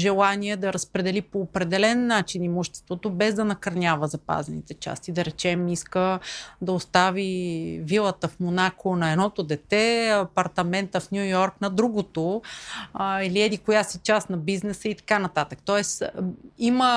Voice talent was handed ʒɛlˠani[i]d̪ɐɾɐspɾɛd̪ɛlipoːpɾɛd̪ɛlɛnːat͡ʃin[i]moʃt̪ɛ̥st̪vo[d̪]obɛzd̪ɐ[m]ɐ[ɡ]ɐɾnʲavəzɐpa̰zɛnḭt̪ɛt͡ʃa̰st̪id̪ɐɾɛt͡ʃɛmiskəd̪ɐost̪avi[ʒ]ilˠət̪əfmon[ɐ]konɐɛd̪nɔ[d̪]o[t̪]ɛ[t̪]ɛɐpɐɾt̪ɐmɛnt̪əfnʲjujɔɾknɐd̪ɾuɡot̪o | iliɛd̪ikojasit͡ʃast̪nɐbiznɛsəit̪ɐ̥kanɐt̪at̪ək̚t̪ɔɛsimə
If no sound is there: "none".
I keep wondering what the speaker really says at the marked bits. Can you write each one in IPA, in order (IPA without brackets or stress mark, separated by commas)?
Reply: ɛ, i, t̪, n, k, v, a, t̪, d̪, t̪